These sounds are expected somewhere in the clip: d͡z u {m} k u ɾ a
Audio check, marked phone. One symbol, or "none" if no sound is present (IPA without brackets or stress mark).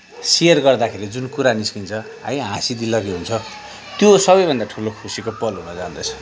n